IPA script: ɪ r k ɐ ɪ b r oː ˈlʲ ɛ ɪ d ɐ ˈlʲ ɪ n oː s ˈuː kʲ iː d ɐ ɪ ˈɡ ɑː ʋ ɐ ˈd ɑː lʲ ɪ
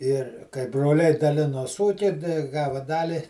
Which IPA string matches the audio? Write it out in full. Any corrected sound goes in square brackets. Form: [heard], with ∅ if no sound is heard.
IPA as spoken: ɪ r k ɐ ɪ b r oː ˈlʲ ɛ ɪ d ɐ ˈlʲ ɪ n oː s ˈuː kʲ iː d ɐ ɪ ˈɡ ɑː ʋ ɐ ˈd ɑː lʲ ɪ